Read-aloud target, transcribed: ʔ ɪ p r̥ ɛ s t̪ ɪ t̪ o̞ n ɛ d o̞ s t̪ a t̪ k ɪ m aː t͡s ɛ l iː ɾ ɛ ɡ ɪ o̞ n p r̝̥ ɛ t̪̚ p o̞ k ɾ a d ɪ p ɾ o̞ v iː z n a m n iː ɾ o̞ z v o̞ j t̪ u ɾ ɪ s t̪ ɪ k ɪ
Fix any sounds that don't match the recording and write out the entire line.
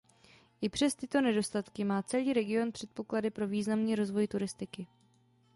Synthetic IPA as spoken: ʔ ɪ p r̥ ɛ s t̪ ɪ t̪ o̞ n ɛ d o̞ s t̪ a t̪ k ɪ m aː t͡s ɛ l iː ɾ ɛ ɡ ɪ o̞ n p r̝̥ ɛ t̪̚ p o̞ k l a d ɪ p ɾ o̞ v iː z n a m n iː ɾ o̞ z v o̞ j t̪ u ɾ ɪ s t̪ ɪ k ɪ